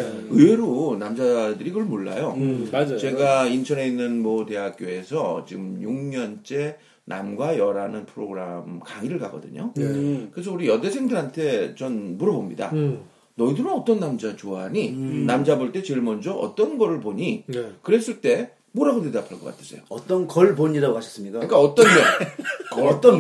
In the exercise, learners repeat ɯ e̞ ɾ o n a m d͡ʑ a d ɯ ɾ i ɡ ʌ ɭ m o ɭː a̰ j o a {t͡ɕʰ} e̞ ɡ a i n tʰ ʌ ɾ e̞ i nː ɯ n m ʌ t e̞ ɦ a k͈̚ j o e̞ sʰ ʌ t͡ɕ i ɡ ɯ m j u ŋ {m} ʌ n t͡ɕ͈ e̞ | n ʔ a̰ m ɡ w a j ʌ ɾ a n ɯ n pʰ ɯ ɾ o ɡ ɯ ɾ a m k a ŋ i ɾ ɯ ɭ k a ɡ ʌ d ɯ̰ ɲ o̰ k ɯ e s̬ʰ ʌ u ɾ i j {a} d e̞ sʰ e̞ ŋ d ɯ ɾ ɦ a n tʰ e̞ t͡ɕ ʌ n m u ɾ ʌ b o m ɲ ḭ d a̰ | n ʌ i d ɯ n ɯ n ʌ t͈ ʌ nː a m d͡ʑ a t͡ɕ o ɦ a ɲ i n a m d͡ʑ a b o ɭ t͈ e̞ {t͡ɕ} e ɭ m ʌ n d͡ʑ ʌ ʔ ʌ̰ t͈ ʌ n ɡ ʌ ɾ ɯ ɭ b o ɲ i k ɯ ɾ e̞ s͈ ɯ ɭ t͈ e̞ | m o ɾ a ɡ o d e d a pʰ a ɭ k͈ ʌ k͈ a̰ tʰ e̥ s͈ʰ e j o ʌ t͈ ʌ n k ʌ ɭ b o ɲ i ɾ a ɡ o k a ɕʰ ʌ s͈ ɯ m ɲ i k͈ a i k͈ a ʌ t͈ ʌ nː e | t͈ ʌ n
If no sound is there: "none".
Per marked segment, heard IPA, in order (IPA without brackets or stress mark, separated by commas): t͡ɕ, ɲ, ʌ, t͡ɕ